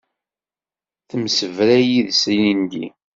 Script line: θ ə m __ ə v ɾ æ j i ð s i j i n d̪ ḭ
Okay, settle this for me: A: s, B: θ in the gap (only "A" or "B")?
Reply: A